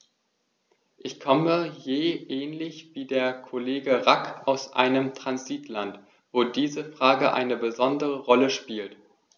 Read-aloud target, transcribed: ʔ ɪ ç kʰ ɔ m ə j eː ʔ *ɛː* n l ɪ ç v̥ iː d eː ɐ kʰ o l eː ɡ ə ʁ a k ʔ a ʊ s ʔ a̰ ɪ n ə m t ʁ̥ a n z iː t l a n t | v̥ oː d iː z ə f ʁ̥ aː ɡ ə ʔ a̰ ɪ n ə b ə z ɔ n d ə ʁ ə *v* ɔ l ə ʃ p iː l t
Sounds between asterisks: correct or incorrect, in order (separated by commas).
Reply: correct, incorrect